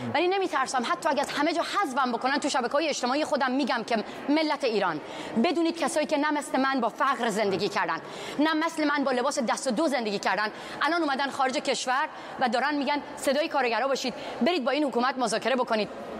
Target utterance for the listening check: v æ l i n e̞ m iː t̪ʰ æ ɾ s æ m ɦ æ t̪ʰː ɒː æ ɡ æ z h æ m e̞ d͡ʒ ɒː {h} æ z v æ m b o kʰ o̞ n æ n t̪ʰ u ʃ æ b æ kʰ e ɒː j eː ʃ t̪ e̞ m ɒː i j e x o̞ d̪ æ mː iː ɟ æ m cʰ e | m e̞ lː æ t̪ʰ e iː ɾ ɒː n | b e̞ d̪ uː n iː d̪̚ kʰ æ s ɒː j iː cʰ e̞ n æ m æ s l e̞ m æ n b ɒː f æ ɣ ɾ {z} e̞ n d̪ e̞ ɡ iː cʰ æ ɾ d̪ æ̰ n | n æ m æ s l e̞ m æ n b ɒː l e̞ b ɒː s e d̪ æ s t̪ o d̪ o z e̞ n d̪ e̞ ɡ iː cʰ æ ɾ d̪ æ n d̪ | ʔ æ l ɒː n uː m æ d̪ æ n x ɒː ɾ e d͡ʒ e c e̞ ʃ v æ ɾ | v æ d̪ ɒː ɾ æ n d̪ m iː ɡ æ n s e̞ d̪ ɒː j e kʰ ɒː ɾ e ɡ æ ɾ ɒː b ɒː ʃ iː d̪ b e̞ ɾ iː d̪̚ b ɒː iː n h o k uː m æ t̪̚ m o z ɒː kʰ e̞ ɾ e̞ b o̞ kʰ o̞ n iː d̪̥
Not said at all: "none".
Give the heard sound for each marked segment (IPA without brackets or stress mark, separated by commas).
h, z